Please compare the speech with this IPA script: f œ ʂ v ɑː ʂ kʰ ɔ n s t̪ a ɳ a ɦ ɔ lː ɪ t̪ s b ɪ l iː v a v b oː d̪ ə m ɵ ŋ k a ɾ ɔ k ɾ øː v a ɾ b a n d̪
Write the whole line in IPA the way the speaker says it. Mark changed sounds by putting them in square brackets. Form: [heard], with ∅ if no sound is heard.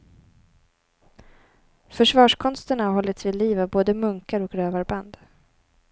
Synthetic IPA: f œ ʂ v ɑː ʂ kʰ ɔ n s t̪ [ə] ɳ a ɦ ɔ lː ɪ t̪ s [v] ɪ l iː v a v b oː d̪ ə m ɵ ŋ k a ɾ ɔ k ɾ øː v a ɾ b a n d̪